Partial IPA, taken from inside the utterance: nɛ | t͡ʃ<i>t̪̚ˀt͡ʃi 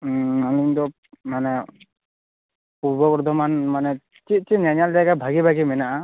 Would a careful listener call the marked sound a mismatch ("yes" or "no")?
no